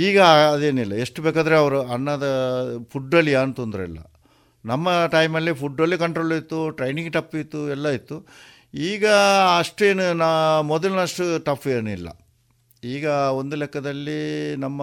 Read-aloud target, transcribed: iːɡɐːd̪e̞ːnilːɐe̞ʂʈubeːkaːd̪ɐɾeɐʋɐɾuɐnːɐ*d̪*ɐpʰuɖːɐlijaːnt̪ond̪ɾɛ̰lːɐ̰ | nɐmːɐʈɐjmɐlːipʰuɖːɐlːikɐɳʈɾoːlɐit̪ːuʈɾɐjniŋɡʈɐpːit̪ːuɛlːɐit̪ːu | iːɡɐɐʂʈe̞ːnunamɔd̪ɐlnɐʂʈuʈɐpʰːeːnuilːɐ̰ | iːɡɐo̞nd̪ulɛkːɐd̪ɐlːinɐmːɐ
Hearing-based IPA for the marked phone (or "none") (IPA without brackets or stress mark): d̪